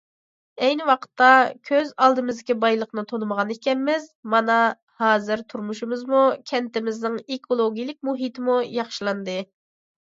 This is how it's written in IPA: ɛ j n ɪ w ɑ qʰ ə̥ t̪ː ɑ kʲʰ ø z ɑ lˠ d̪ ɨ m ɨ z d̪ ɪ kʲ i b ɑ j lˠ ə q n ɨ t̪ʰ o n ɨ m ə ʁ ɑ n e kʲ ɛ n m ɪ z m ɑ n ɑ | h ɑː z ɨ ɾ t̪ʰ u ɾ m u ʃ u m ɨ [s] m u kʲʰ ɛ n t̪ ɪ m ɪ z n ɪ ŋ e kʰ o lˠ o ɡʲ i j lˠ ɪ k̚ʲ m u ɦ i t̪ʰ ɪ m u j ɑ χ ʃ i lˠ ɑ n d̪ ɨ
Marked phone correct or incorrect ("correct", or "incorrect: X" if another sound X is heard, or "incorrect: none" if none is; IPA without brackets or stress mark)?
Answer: incorrect: z